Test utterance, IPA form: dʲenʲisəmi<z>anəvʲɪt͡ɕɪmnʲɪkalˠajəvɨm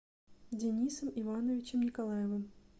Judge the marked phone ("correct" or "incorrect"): incorrect